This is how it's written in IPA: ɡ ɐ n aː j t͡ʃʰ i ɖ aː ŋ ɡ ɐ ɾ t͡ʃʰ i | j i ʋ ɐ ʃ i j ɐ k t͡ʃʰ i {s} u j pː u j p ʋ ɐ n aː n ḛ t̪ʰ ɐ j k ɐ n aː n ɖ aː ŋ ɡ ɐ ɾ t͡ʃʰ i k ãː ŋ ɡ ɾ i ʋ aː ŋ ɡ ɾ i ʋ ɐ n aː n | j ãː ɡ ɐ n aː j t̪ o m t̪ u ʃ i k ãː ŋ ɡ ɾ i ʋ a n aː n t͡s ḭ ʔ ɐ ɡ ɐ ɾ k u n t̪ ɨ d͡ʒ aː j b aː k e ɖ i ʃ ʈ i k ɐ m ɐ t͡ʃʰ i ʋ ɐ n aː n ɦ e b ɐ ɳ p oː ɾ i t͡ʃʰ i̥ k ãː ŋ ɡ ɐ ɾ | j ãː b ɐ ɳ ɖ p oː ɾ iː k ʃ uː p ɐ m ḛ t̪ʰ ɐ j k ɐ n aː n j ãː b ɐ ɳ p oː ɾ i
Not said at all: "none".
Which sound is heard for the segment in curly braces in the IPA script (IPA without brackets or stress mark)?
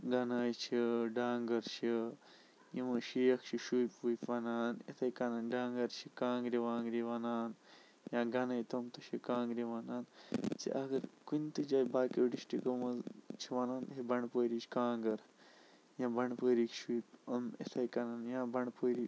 ʃ